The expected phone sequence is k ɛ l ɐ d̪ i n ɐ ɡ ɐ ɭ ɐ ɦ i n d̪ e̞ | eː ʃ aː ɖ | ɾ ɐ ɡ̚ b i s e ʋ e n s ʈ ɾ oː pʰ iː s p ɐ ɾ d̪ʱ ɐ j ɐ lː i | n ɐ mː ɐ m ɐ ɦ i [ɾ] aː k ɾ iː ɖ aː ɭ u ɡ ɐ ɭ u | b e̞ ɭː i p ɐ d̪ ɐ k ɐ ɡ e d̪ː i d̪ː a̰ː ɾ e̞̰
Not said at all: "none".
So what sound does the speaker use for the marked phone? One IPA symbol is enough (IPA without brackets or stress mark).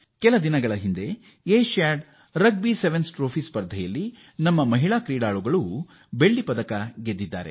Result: ɭ